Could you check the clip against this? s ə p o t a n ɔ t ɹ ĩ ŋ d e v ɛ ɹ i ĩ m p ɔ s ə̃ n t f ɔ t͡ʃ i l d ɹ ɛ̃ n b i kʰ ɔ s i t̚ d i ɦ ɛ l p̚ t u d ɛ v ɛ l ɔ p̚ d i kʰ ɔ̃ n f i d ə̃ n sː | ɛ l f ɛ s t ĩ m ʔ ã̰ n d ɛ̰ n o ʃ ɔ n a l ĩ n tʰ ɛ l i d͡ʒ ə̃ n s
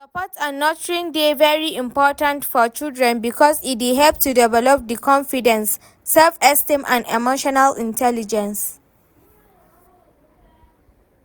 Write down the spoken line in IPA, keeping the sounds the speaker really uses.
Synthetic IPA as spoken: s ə p ɔ t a n ɔ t ɹ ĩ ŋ d e v ɛ ɹ i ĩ m p ɔ t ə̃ n t f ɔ t͡ʃ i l d ɹ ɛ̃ n b i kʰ ɔ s i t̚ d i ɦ ɛ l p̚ t u d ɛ v ɛ l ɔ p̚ d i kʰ ɔ̃ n f i d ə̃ n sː | ɛ l f ɛ s t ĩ m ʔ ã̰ n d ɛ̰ m o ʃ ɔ n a l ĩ n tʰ ɛ l i d͡ʒ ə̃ n s